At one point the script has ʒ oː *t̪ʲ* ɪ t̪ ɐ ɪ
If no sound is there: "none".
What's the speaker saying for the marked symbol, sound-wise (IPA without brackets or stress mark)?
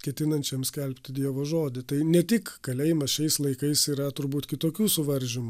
d̪ʲ